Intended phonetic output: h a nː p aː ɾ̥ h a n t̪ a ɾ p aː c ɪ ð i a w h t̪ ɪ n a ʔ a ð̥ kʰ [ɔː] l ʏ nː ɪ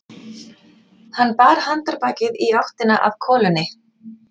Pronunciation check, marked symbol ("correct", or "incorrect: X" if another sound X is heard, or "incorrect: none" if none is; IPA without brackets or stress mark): correct